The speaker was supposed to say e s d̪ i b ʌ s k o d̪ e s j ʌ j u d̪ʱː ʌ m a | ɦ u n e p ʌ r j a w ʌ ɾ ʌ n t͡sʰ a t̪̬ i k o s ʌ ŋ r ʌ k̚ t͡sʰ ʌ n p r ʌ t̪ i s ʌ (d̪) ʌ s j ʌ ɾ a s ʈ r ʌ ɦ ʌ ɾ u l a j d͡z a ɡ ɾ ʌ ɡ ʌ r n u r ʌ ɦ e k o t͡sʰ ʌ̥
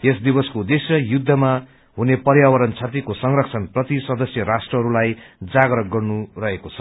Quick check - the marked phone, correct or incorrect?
correct